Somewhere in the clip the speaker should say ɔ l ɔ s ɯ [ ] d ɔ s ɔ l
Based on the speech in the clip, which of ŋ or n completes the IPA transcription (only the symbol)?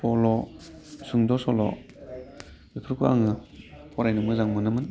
ŋ